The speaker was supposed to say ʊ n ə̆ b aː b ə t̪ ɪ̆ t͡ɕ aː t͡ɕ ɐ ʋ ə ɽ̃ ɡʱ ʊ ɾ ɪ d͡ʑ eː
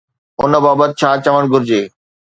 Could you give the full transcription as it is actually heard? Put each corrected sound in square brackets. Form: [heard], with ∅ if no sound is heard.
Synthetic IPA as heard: ʊ n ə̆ b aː b ə t̪ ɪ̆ [t͡ɕʰ] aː t͡ɕ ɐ ʋ ə ɽ̃ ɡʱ ʊ ɾ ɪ d͡ʑ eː